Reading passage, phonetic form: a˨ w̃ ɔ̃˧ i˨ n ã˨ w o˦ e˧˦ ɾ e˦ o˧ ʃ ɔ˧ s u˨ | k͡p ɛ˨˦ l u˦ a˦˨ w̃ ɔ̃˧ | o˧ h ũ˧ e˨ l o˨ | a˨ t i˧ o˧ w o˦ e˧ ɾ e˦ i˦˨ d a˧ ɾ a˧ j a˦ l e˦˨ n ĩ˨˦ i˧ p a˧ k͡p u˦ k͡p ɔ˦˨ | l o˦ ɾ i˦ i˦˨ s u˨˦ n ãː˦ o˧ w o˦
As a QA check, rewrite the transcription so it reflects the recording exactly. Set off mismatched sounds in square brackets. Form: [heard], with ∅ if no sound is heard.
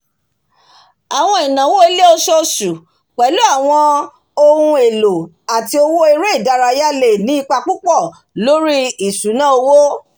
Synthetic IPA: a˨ w̃ ɔ̃˧ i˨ n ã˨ w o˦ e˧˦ [l] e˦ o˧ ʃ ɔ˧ s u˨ | k͡p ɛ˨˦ l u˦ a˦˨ w̃ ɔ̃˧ | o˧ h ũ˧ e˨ l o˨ | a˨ t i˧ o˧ w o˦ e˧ ɾ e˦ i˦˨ d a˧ ɾ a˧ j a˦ l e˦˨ n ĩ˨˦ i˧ [k͡p] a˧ k͡p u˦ k͡p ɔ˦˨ | l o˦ ɾ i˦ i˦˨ s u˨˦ n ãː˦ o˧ w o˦